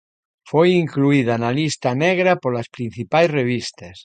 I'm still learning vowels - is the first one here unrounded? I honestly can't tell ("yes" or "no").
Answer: no